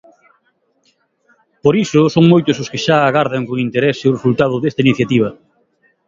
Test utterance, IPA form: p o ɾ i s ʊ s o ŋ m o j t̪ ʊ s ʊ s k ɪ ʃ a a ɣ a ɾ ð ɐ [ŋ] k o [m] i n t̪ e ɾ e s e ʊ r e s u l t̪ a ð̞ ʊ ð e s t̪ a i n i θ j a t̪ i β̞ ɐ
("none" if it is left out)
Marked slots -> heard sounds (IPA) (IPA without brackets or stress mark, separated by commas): ŋ, ŋ